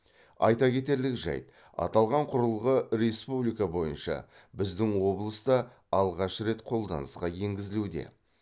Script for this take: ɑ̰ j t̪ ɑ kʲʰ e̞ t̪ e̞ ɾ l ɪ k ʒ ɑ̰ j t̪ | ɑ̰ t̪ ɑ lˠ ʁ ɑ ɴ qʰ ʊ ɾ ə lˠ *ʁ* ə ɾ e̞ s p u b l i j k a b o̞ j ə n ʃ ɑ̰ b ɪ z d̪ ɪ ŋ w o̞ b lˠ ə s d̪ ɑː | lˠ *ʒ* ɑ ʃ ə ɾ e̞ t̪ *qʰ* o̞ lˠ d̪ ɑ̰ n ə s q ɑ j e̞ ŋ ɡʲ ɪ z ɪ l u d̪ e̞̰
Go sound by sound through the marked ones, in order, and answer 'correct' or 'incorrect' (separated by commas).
correct, incorrect, correct